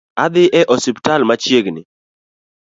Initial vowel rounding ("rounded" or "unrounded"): unrounded